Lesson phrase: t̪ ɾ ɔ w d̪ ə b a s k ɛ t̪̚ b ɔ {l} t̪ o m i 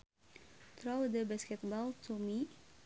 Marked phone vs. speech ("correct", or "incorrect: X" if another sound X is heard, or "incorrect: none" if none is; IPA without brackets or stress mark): correct